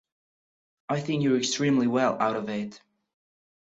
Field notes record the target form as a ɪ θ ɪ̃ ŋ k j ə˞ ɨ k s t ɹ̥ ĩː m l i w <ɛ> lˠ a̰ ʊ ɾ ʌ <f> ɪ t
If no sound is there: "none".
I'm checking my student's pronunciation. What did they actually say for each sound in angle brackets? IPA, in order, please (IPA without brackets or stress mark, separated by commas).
ɛ, v